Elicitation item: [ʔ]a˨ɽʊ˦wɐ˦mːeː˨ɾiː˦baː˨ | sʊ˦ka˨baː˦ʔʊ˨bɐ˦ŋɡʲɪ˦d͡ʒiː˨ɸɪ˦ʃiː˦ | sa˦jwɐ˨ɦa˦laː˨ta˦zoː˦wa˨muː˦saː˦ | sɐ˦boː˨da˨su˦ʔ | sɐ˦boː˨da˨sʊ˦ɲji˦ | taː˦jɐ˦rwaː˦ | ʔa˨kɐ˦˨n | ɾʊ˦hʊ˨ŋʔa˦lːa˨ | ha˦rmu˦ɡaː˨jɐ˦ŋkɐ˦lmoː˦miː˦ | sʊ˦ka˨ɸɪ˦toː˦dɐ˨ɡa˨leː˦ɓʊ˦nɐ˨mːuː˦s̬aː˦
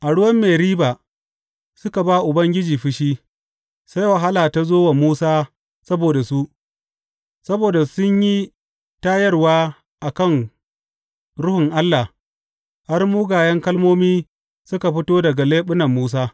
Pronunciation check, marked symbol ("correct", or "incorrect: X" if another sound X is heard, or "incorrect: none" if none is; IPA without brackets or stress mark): correct